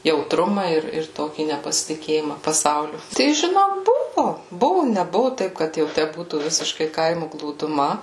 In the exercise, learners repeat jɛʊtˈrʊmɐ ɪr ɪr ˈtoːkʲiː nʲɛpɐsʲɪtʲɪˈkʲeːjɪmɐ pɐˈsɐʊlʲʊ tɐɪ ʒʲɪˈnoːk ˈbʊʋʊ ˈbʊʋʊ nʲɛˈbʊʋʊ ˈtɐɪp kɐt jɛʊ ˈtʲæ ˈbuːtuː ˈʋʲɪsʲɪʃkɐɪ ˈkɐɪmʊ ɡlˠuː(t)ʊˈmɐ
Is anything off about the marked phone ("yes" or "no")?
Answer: yes